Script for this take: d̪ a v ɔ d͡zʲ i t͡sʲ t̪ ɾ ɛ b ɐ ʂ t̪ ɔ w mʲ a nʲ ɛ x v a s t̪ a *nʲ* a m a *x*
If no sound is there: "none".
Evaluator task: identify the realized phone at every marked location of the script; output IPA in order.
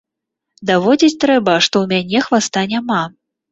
nʲ, none

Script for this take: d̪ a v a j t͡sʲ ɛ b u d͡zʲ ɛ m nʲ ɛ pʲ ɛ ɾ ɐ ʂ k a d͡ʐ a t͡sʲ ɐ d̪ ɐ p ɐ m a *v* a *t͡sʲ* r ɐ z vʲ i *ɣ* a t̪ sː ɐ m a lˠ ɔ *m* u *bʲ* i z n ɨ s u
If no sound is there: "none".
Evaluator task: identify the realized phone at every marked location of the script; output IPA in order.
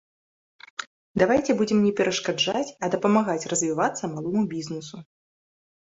ɣ, t͡sʲ, v, m, bʲ

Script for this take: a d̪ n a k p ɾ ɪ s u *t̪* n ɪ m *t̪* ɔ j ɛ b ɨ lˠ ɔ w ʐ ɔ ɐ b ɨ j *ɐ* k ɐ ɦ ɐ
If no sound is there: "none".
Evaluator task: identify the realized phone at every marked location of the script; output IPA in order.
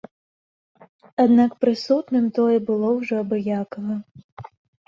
t̪, t̪, a

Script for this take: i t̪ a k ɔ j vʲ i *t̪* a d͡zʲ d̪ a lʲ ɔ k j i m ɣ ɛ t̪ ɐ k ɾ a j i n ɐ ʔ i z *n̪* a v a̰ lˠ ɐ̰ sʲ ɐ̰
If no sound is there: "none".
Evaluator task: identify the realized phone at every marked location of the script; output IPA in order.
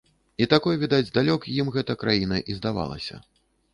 d̪, d̪

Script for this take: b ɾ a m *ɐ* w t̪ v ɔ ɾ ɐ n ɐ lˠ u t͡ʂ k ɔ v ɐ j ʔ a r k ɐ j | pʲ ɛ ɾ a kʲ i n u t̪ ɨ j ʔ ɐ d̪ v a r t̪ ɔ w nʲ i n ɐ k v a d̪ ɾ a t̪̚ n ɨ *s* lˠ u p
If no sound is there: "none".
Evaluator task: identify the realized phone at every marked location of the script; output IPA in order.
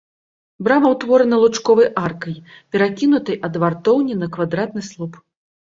ɐ, s

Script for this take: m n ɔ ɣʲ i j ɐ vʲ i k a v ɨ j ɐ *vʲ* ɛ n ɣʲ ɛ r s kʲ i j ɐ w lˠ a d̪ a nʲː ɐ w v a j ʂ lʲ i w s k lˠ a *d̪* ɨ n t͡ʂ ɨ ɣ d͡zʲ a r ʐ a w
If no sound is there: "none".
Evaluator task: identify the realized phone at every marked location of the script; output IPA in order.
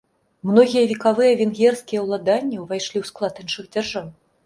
vʲ, t̪

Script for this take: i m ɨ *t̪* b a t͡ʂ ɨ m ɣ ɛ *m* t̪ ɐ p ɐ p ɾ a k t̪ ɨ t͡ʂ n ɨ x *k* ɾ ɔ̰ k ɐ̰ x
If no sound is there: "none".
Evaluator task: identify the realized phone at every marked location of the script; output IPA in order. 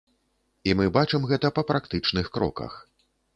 none, none, k

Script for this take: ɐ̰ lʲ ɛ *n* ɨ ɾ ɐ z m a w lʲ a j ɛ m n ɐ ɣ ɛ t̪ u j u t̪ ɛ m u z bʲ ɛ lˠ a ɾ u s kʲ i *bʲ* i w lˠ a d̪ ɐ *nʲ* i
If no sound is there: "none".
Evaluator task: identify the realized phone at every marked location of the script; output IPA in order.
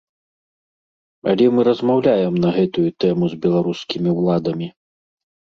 m, mʲ, mʲ

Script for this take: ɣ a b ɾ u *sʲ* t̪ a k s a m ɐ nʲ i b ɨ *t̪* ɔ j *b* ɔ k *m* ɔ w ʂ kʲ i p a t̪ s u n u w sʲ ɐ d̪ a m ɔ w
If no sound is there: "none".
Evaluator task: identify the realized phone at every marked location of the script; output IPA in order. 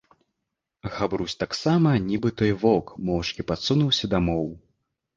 sʲ, t̪, v, m

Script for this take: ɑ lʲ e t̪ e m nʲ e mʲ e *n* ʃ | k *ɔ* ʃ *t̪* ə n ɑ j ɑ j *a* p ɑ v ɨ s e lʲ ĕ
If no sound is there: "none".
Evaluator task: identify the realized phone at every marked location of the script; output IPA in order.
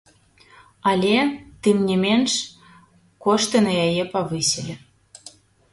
n, o, t̪, e

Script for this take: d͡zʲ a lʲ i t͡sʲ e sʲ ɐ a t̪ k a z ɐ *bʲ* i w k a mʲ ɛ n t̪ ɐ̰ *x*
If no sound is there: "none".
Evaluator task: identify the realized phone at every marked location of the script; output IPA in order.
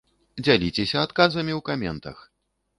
mʲ, x

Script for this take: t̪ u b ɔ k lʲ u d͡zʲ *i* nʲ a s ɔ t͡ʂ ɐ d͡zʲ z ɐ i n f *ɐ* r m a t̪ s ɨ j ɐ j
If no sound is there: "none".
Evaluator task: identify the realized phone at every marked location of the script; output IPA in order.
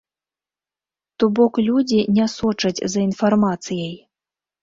i, a

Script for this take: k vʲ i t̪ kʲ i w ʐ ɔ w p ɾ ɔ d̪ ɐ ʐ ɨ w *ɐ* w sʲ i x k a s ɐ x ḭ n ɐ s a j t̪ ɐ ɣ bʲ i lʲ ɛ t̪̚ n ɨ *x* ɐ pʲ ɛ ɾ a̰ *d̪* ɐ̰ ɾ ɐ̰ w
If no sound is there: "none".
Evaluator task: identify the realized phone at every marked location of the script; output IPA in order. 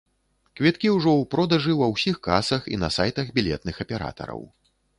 ɐ, x, t̪

